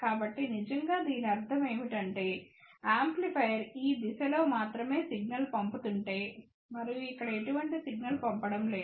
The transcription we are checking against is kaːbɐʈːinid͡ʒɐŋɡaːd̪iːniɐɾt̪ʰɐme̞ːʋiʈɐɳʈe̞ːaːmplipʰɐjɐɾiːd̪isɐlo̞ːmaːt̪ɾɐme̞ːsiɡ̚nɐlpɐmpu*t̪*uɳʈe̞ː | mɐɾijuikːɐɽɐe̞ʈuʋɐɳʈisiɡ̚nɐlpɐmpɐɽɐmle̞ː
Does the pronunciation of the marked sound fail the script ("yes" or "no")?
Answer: no